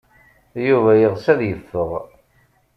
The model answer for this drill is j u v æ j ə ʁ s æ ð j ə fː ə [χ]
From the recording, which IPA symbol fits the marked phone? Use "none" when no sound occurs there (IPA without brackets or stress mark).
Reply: ʁ